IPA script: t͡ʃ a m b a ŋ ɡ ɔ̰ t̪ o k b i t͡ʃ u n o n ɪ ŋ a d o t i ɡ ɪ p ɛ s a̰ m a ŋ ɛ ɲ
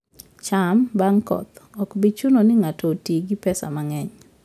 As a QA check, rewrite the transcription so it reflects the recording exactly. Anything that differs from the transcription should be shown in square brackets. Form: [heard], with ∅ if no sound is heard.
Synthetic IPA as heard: t͡ʃ a m b a ŋ [k] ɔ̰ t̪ [ɔ] k b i t͡ʃ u n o n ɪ ŋ a [t] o t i ɡ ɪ p ɛ s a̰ m a ŋ ɛ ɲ

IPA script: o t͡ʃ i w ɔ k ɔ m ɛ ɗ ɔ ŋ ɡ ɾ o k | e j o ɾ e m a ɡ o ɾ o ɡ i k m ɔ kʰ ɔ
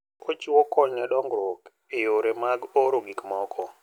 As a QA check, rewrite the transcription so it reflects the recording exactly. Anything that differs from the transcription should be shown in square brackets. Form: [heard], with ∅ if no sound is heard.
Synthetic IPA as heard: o t͡ʃ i w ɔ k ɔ [ɲ] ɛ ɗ ɔ ŋ ɡ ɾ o k | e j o ɾ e m a ɡ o ɾ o ɡ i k m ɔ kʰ ɔ

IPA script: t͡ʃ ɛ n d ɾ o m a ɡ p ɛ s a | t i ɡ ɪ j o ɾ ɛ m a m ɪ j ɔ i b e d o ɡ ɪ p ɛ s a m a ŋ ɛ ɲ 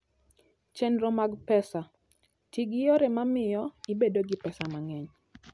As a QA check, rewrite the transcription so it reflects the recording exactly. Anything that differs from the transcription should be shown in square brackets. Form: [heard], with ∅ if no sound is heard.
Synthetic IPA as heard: t͡ʃ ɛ n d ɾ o m a ɡ p ɛ s a | t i ɡ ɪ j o ɾ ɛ m a m ɪ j ɔ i b e d o ɡ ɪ p ɛ s a m a ŋ ɛ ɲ

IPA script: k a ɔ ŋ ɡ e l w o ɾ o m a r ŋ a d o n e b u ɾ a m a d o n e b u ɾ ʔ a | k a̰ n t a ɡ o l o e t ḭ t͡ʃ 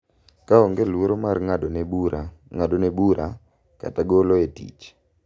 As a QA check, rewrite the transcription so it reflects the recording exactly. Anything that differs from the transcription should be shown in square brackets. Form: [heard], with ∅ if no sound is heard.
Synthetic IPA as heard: k a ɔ ŋ ɡ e l w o ɾ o m a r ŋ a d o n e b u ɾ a [ŋ] a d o n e b u ɾ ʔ a | k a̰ [∅] t a ɡ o l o e t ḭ t͡ʃ

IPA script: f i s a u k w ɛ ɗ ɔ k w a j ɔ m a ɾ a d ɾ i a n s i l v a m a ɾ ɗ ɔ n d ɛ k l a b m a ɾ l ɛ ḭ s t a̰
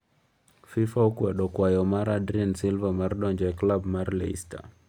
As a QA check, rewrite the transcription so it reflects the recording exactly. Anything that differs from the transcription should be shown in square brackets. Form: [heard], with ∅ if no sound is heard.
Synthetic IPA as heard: f i [f] a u k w ɛ ɗ ɔ k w a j ɔ m a ɾ a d ɾ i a n s i l v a m a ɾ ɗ ɔ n [d͡ʒ] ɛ k l a b m a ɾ l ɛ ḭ s t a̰

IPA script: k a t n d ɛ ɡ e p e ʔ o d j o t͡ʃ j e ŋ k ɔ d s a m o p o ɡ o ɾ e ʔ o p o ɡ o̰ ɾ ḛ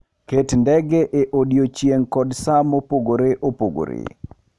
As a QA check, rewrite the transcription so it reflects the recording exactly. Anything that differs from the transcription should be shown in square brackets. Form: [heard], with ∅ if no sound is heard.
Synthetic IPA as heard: k [e] t n d ɛ ɡ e [ʔ] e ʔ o d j o t͡ʃ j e ŋ k ɔ d s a m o p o ɡ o ɾ e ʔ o p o ɡ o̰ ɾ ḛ

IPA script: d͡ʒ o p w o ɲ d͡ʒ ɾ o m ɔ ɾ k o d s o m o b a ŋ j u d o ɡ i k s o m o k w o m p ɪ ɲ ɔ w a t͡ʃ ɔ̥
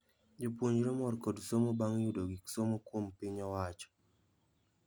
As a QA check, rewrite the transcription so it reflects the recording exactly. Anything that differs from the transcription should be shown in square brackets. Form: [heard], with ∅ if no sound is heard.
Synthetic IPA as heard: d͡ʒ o p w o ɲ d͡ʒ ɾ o m ɔ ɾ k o d s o m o b a ŋ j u d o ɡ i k s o m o k w o m p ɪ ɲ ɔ w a t͡ʃ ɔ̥

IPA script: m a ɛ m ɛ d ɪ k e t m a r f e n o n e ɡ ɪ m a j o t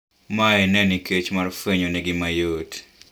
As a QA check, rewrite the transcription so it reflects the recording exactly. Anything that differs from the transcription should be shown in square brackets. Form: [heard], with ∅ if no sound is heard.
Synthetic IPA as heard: m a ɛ [n] ɛ [n] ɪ k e [t͡ʃ] m a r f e [ɲ] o n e ɡ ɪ m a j o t

